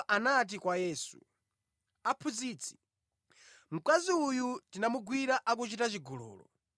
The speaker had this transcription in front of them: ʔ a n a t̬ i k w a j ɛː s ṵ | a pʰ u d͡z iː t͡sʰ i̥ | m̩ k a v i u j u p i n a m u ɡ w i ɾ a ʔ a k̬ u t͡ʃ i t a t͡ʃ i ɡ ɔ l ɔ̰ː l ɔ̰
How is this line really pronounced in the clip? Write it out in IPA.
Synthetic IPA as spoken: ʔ a n a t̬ i k w a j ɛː s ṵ | a pʰ u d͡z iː t͡sʰ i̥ | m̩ k a z i u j u t i n a m u ɡ w i ɾ a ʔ a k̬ u t͡ʃ i t a t͡ʃ i ɡ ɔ l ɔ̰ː l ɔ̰